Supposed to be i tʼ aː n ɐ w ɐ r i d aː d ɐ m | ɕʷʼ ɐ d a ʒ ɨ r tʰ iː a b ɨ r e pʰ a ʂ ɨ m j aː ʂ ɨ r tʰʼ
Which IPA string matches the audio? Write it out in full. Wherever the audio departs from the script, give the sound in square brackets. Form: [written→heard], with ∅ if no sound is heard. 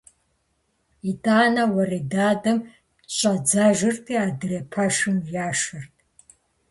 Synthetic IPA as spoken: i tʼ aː n ɐ w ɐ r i d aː d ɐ m | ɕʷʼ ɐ [d→d͡z] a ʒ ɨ r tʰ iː a [b→d] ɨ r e pʰ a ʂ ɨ m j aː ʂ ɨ r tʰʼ